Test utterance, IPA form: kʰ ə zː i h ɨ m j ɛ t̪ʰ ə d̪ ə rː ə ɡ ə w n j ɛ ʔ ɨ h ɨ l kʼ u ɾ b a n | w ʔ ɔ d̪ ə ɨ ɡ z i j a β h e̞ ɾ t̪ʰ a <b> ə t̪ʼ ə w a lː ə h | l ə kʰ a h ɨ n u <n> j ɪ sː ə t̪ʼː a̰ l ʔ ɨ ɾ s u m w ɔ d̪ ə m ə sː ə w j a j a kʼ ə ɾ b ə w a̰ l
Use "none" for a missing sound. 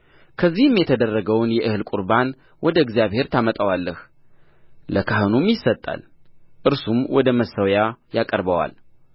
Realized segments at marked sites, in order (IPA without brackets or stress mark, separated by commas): m, m